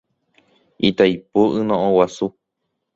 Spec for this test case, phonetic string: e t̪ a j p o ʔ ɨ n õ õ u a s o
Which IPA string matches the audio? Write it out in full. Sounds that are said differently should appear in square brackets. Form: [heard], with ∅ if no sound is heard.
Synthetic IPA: [i] t̪ a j p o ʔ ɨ n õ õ [w] a s [u]

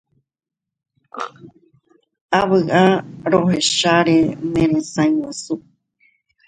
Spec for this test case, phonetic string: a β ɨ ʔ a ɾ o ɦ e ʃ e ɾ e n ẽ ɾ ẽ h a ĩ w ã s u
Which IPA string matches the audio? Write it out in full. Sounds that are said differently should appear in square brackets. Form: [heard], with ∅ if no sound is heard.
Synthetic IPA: a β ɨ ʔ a ɾ o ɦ e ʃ [a] ɾ e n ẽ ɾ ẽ [s] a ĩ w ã s u

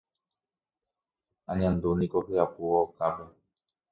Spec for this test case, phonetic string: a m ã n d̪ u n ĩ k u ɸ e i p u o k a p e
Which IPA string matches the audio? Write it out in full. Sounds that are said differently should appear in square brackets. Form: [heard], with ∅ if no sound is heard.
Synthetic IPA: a [ɲ] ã n d̪ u n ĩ k [o] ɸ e [a] p u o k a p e

